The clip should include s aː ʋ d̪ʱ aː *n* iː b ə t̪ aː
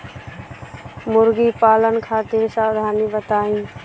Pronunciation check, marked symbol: correct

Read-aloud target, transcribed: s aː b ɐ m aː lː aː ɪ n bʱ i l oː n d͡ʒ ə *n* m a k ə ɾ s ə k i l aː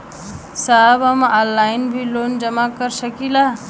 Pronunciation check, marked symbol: incorrect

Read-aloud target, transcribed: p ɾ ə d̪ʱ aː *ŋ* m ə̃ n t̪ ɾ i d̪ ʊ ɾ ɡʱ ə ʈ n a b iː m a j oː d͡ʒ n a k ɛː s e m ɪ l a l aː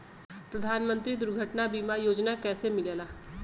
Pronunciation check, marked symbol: incorrect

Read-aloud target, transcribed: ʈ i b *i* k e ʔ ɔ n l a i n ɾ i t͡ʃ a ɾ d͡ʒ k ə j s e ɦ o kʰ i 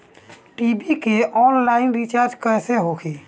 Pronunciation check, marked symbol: correct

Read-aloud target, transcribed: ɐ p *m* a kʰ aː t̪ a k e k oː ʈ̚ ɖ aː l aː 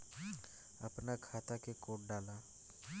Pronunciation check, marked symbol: incorrect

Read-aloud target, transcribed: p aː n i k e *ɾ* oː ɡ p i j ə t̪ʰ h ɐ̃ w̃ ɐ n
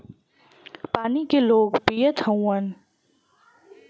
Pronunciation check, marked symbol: incorrect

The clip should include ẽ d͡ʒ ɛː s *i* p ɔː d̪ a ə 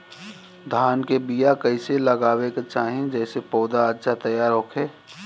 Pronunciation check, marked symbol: incorrect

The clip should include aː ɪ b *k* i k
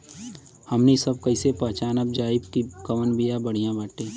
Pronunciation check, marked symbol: correct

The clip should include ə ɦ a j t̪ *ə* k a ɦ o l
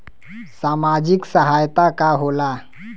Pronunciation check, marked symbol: incorrect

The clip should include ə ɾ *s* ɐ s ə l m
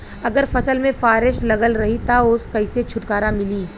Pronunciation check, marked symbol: incorrect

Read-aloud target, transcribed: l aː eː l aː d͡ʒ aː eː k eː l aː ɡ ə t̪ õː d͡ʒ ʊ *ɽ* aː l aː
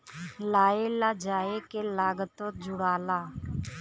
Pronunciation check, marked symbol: correct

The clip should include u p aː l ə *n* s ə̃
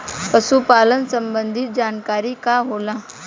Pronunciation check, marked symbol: correct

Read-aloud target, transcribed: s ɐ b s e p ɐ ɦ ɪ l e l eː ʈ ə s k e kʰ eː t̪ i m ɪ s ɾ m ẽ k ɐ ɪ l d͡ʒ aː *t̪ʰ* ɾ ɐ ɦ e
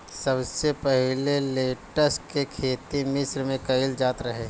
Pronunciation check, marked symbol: incorrect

